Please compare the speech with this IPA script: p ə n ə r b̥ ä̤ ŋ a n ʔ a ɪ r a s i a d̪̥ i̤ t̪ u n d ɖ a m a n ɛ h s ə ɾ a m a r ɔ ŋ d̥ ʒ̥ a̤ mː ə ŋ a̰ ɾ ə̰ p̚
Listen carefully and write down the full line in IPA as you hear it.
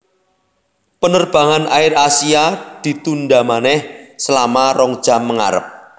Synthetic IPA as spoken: p ə n ə r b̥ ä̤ ŋ a n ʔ a ɪ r a s i a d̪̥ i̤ t̪ u n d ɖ a m a n ɛ h s ə l a m a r ɔ ŋ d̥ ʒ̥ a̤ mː ə ŋ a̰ ɾ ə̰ p̚